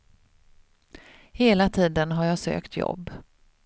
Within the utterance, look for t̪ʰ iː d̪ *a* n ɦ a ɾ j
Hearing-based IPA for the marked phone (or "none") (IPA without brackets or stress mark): ə